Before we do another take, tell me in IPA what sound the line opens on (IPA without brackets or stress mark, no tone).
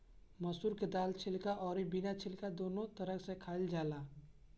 m